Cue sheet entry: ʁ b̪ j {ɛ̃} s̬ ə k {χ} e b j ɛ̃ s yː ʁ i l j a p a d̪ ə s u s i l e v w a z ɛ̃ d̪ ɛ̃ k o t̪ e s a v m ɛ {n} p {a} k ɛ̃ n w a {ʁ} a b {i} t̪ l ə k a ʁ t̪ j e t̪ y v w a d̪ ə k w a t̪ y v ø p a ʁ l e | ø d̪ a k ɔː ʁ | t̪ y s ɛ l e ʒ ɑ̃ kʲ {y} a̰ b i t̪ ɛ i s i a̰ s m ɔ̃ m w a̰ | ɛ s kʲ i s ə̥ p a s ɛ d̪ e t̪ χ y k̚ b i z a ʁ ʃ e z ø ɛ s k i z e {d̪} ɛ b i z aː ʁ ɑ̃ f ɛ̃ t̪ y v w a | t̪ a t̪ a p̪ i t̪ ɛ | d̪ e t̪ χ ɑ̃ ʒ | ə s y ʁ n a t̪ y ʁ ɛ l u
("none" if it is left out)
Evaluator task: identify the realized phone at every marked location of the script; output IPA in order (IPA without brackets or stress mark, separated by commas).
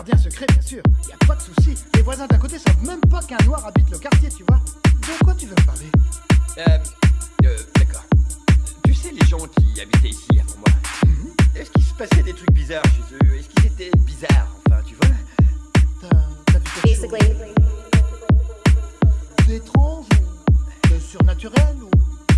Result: ɛ̃, χ, m, a, ʁ, i, i, t̪